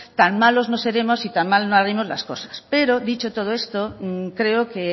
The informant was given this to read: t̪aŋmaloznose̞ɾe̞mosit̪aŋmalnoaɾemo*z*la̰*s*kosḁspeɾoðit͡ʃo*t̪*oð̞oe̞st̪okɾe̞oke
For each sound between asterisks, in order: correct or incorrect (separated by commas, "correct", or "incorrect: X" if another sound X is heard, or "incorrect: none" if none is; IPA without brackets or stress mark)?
correct, correct, correct